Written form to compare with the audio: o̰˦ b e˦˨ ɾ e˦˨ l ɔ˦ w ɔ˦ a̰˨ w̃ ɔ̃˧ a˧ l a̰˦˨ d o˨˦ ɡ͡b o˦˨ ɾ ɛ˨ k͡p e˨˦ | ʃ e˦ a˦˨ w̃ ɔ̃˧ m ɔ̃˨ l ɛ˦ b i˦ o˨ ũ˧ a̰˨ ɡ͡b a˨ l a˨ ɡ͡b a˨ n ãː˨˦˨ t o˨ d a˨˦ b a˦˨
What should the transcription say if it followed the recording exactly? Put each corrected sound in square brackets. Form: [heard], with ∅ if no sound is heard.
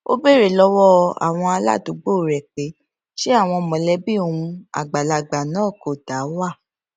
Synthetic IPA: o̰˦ b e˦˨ ɾ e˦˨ l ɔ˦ w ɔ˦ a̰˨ w̃ ɔ̃˧ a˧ l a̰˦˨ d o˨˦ ɡ͡b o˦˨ ɾ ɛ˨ k͡p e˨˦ | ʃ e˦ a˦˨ w̃ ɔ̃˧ m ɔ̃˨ l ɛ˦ b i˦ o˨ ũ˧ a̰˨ ɡ͡b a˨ l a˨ ɡ͡b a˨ n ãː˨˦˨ [k] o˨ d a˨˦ [w] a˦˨